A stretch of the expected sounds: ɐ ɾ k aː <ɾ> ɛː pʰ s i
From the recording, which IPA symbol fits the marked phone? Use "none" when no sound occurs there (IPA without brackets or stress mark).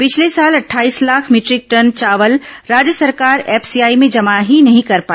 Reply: ɾ